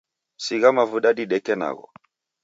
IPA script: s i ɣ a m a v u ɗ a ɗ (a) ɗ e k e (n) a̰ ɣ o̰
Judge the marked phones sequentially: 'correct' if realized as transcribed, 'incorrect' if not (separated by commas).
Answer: incorrect, correct